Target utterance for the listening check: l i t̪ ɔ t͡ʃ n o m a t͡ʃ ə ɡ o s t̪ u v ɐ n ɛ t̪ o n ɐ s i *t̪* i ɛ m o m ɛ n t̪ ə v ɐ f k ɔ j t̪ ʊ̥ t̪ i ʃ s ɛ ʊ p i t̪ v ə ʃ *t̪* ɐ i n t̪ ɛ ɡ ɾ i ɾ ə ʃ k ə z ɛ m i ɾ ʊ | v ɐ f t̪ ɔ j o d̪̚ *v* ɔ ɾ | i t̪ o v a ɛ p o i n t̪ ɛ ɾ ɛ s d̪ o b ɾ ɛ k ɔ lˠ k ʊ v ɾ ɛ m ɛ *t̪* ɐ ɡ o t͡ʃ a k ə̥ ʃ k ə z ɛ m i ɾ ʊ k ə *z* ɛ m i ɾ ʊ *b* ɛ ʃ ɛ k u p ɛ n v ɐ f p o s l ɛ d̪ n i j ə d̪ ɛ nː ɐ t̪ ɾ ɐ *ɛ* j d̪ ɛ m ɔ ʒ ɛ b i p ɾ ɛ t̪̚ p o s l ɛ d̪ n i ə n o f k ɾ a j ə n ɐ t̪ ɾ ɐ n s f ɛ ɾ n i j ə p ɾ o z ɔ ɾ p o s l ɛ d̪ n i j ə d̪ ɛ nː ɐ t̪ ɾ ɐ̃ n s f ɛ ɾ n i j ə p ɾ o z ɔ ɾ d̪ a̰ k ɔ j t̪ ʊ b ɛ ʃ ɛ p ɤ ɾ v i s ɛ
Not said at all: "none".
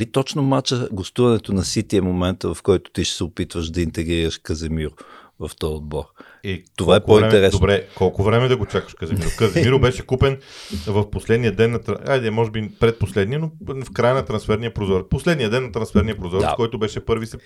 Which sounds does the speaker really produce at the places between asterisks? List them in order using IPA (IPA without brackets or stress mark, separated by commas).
t̪, d̪, b, d̪, z, b, a